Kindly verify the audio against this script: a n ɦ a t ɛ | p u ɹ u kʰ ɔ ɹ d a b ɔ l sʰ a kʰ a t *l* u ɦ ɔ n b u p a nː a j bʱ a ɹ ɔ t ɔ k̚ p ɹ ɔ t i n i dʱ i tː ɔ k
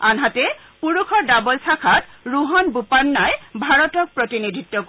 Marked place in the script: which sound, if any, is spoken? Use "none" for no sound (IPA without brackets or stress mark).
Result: ɹ